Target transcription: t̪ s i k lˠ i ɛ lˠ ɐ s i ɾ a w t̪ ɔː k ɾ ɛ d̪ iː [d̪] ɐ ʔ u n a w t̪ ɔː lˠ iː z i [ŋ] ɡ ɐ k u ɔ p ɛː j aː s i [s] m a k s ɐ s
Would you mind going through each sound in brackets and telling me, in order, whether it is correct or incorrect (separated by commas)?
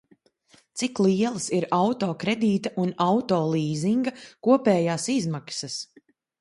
incorrect, correct, incorrect